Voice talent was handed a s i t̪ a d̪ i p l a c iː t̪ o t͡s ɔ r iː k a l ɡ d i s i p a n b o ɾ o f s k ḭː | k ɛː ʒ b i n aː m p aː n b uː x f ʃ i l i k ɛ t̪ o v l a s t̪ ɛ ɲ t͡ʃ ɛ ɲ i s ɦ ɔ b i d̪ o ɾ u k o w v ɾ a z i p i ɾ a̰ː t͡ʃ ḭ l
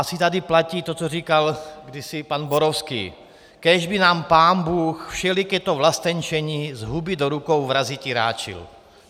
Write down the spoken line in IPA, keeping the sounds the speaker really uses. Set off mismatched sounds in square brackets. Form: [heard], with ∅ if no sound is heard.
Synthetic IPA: a s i t̪ a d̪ i p l a c iː t̪ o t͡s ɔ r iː k a l ɡ d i s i p a n b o ɾ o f s k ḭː | k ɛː ʒ b i n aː m p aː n b uː x f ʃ [ɛ] l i k ɛ t̪ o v l a s t̪ ɛ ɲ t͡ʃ ɛ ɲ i [z] ɦ [u] b i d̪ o ɾ u k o w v ɾ a z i [c] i ɾ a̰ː t͡ʃ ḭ l